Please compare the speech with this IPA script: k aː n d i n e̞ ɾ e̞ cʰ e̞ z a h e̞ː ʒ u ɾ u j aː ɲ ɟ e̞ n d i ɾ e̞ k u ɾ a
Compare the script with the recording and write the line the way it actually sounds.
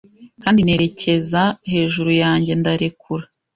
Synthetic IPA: k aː n d i n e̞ ɾ e̞ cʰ e̞ z a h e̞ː ʒ u ɾ u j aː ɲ ɟ e̞ n d a ɾ e̞ k u ɾ a